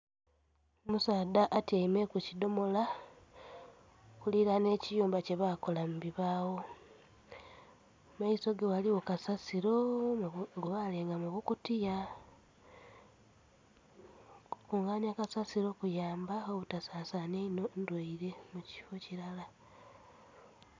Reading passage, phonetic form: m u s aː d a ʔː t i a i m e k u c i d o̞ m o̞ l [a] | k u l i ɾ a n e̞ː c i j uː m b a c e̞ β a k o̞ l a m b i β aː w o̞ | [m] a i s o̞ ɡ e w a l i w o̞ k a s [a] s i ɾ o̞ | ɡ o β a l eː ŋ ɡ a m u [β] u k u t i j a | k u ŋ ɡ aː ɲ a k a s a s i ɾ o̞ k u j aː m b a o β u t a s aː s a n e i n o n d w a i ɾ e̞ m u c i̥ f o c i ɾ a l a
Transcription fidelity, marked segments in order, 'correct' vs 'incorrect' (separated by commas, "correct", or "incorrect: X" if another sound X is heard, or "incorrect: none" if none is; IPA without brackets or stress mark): correct, correct, correct, correct